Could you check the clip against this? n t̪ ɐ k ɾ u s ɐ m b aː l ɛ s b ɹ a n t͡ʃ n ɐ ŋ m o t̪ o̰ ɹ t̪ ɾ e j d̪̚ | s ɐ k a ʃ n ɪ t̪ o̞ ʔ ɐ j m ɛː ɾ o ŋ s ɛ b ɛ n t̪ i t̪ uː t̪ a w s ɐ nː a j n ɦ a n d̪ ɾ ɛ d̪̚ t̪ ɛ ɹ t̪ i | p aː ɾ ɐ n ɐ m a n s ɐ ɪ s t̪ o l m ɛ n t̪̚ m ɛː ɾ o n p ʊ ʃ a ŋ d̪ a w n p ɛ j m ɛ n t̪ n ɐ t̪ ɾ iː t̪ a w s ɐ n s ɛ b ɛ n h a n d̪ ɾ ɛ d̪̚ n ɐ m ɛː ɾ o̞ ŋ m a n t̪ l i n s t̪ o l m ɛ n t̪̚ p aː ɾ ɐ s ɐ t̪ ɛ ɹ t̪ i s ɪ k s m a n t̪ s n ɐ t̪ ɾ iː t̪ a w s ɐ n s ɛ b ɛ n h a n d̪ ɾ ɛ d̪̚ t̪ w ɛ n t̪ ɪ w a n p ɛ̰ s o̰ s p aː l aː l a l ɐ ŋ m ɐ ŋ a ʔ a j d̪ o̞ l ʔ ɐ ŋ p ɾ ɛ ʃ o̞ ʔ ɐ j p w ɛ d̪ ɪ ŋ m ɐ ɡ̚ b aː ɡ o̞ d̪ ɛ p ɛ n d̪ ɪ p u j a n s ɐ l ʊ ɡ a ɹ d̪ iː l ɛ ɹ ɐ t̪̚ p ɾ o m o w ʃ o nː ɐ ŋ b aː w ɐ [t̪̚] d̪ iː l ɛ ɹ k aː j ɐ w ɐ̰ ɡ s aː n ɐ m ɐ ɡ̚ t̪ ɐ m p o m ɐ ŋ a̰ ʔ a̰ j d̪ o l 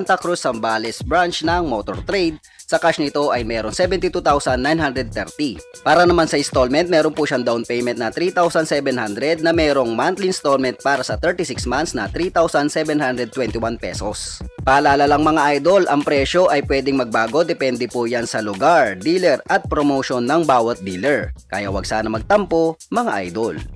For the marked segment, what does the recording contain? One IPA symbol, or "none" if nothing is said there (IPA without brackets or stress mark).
t̪̚